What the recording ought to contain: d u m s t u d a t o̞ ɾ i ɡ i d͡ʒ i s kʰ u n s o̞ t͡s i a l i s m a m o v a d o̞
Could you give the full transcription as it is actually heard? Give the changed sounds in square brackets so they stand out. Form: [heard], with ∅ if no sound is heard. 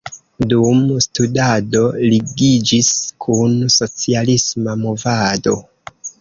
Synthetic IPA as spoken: d u m s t u d a [d] o̞ [l] i ɡ i d͡ʒ i s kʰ u n s o̞ t͡s i a l i s m a m o v a d o̞